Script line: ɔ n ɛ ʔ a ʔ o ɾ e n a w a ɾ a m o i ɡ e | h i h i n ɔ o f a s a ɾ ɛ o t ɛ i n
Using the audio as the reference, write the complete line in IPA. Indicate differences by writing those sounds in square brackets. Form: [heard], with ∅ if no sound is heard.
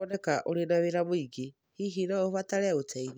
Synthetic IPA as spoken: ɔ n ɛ [k] a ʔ o ɾ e n a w [e] ɾ a m o i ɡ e | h i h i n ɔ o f a [t] a ɾ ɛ o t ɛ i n